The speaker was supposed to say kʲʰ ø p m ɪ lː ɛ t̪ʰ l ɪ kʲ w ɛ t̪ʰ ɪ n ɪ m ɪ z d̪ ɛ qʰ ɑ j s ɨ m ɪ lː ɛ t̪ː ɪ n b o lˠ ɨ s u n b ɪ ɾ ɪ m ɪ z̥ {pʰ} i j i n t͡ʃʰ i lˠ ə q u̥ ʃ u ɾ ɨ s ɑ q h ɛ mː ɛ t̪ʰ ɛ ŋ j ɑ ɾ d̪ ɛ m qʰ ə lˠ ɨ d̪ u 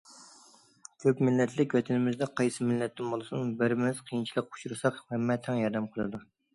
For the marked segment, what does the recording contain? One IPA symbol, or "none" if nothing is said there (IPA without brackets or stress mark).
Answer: qʰ